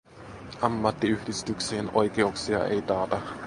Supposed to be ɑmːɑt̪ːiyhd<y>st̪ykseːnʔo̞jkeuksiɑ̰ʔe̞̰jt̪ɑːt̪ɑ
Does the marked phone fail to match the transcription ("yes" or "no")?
yes